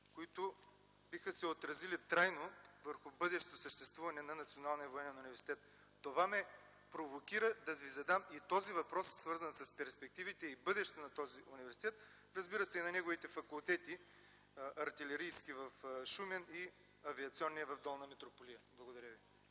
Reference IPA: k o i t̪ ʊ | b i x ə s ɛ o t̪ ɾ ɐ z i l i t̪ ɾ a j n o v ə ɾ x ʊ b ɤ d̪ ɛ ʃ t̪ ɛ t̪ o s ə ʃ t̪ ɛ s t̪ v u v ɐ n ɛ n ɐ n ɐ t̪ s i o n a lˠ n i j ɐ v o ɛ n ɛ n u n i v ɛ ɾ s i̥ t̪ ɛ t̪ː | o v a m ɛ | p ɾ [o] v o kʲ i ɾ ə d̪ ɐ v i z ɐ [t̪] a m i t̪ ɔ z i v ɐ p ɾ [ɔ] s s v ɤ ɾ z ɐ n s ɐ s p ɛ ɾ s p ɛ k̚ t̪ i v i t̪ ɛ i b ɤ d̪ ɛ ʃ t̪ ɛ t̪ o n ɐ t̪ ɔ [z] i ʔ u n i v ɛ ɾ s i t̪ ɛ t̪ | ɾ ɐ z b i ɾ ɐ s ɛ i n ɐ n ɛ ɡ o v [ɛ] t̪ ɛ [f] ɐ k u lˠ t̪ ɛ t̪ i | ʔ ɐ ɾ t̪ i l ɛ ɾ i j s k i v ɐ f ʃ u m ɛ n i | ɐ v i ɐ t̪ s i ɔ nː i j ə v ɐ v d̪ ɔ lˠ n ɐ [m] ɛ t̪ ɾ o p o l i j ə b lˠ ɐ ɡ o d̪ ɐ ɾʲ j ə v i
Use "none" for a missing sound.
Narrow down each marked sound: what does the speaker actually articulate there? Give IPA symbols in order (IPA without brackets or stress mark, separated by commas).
o, d̪, ɔ, z, i, f, m